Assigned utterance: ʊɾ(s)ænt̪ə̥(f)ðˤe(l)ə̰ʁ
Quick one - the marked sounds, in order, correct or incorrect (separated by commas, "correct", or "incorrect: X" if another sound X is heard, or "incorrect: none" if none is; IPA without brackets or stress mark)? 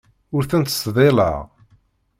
incorrect: θ, incorrect: s, correct